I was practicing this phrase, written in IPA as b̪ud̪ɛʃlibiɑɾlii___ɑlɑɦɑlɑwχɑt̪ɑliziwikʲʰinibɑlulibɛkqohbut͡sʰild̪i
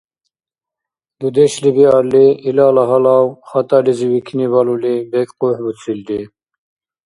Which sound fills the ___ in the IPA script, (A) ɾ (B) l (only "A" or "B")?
B